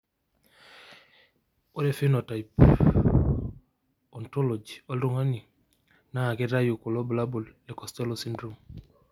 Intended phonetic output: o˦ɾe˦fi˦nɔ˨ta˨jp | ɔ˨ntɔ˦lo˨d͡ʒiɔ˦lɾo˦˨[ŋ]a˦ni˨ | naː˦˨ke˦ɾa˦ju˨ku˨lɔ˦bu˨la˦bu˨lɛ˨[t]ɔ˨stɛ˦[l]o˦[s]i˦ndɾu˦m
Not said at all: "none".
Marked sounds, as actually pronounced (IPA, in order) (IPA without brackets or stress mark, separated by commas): ŋ, k, l, s